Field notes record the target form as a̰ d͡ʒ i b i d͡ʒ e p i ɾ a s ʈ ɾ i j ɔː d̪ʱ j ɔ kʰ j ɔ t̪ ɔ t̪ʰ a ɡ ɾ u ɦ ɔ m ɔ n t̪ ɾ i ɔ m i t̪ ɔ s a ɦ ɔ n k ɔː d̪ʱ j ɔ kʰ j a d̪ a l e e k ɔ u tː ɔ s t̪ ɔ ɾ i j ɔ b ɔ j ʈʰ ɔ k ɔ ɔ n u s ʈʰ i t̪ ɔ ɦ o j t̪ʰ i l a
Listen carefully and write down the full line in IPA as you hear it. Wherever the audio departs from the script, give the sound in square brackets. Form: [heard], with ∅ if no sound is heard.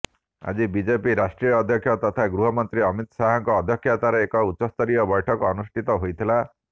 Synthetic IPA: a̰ d͡ʒ i b i d͡ʒ e p i ɾ a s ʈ ɾ i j ɔː d̪ʱ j ɔ kʰ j ɔ t̪ ɔ t̪ʰ a ɡ ɾ u ɦ ɔ m ɔ n t̪ ɾ i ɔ m i t̪ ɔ s a ɦ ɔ [ŋ] k ɔː d̪ʱ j ɔ kʰ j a [t̪] a [ɾ] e e k ɔ u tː ɔ s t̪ ɔ ɾ i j ɔ b ɔ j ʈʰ ɔ k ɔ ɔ n u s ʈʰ i t̪ ɔ ɦ o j t̪ʰ i l a